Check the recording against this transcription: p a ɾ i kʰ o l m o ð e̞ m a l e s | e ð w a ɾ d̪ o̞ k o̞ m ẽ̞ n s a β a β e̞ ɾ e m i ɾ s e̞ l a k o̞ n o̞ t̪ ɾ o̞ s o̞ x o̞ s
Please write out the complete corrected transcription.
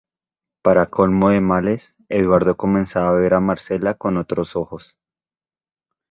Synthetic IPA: p a ɾ a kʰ o l m o ð e̞ m a l e s | e ð w a ɾ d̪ o̞ k o̞ m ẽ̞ n s a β a β e̞ ɾ a m a ɾ s e̞ l a k o̞ n o̞ t̪ ɾ o̞ s o̞ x o̞ s